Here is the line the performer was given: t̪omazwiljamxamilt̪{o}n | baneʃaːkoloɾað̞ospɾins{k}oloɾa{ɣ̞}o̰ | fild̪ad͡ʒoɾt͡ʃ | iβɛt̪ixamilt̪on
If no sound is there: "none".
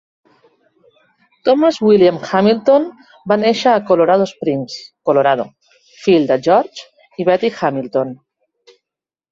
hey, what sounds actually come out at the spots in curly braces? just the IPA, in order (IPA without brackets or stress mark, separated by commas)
o, k, ð̞